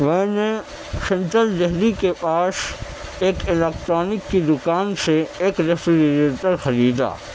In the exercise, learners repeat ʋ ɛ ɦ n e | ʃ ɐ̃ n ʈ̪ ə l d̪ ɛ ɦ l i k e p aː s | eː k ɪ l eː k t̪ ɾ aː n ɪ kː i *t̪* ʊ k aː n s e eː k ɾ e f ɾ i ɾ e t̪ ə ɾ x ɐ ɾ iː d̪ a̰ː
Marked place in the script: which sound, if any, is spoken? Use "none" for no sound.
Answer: d̪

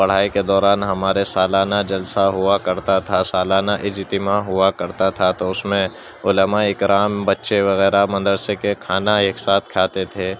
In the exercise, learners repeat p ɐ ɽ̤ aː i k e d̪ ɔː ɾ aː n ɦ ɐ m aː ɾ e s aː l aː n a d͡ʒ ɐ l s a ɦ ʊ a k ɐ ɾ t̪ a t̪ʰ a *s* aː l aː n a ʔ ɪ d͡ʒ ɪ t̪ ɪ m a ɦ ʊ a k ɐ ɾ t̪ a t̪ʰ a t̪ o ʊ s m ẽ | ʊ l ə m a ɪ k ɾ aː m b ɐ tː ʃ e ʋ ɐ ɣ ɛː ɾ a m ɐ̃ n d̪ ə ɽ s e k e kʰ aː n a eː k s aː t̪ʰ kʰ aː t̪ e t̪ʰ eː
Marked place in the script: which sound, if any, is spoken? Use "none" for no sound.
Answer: s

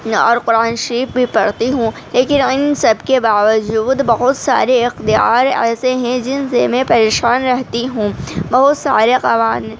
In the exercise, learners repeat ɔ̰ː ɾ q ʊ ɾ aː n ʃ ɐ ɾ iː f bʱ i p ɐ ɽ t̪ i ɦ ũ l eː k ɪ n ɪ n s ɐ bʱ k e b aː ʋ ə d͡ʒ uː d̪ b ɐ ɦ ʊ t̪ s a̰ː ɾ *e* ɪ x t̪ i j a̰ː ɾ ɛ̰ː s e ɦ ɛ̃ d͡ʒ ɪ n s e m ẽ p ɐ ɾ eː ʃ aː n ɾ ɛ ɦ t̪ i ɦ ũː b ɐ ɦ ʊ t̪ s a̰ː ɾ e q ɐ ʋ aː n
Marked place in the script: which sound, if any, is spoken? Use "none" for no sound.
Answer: e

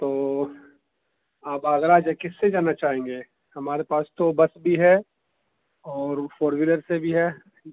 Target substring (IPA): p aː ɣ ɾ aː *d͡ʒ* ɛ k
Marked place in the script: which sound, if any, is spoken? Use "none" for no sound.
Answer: d͡ʒ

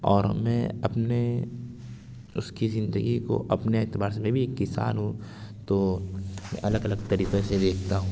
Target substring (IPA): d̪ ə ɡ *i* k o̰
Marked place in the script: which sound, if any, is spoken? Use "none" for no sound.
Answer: i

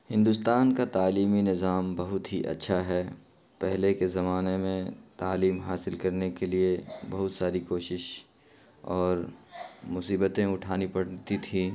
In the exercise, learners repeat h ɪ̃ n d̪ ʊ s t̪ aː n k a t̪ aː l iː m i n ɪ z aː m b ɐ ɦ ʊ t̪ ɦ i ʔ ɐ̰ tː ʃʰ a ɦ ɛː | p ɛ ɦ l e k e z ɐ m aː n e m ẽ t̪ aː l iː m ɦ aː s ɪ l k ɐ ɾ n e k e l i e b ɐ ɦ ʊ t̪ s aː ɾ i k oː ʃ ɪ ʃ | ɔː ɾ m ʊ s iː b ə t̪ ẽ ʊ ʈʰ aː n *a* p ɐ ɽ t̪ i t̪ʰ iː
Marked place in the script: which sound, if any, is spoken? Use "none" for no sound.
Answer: i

